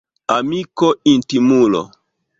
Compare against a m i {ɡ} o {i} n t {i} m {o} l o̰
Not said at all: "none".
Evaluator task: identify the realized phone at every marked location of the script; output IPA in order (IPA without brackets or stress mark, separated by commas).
k, i, i, u